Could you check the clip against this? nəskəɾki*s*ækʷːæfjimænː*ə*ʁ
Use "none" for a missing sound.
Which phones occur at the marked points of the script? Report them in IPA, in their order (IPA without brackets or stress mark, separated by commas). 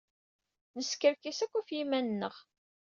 s, ə